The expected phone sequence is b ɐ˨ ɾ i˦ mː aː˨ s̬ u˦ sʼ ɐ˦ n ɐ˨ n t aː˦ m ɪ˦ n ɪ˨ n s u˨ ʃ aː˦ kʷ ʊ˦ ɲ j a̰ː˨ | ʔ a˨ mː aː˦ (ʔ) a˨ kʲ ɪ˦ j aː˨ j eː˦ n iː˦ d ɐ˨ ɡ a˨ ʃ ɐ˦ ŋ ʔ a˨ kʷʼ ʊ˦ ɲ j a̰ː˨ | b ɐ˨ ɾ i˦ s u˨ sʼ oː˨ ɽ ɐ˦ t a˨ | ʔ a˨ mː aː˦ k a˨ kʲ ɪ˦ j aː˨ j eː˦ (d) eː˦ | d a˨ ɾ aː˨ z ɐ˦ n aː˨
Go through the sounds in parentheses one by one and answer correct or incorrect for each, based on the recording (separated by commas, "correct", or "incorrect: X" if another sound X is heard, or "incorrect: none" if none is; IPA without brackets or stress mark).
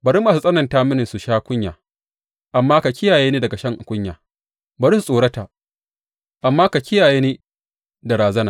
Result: incorrect: k, incorrect: n